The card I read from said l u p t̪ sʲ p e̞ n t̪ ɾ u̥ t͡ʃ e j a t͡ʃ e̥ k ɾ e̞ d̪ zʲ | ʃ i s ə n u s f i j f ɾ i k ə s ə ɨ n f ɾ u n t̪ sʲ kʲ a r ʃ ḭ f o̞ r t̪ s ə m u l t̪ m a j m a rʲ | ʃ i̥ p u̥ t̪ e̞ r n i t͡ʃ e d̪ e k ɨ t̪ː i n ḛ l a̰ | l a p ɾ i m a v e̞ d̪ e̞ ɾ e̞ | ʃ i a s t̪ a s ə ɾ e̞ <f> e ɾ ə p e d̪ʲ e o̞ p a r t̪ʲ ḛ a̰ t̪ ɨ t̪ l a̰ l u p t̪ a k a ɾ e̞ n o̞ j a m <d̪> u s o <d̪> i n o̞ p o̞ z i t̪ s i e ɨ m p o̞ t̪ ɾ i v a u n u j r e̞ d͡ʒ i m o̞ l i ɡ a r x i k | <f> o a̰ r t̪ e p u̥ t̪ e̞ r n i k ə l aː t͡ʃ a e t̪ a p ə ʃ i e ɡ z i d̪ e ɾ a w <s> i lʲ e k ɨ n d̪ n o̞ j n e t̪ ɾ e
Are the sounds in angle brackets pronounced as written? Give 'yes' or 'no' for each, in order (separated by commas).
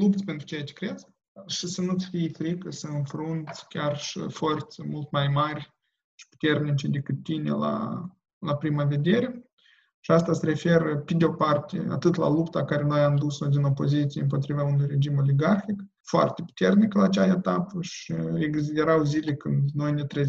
yes, yes, yes, yes, no